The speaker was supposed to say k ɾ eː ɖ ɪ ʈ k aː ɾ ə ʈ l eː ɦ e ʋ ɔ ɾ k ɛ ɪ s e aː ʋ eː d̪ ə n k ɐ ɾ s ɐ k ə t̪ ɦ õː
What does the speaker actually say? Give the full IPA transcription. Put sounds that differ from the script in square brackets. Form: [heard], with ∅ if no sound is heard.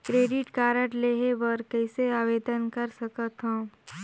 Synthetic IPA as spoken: k ɾ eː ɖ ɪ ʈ k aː ɾ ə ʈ l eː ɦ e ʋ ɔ ɾ k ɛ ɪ s e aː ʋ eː d̪ ə n k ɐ ɾ s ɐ k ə t̪ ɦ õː